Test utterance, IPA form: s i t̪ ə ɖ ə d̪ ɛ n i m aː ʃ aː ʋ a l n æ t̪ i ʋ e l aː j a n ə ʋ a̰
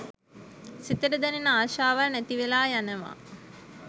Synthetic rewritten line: s i t̪ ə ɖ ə d̪ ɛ n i n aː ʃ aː ʋ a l n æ t̪ i ʋ e l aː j a n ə ʋ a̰